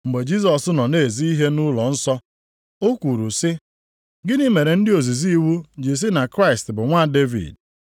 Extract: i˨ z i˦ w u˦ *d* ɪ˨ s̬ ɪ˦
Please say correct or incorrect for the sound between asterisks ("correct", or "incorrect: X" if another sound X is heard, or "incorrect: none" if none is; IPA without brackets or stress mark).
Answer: incorrect: d͡ʒ